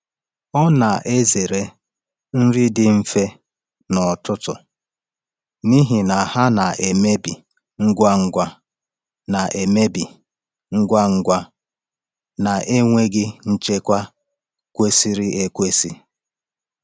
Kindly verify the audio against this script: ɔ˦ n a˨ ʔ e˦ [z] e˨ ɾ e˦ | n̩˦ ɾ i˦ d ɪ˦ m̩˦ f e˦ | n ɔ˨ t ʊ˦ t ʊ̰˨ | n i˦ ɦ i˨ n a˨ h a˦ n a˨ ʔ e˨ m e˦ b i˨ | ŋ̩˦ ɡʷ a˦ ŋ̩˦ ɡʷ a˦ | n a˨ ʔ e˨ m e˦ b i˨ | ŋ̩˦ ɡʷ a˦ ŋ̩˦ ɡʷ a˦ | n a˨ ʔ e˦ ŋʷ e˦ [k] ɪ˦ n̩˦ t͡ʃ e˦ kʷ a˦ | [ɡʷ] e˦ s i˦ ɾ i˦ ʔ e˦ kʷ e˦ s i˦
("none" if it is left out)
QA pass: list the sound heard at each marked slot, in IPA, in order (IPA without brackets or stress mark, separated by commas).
z, ɡ, kʷ